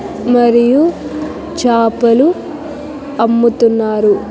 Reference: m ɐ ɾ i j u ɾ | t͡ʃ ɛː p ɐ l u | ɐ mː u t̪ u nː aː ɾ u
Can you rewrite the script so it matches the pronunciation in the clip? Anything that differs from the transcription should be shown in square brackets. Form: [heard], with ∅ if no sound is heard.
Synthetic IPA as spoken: m ɐ ɾ i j u [∅] | t͡ʃ [aː] p ɐ l u | ɐ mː u t̪ u nː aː ɾ u